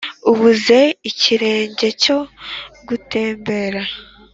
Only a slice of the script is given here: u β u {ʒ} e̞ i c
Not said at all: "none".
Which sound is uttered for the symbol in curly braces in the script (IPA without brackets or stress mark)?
z